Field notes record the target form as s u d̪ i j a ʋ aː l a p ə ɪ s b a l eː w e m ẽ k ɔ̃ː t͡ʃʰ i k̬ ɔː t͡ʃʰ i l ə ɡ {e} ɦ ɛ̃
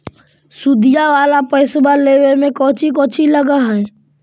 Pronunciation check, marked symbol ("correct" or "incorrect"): incorrect